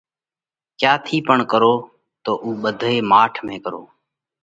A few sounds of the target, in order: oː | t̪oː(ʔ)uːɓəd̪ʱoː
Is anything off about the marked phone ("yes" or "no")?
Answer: no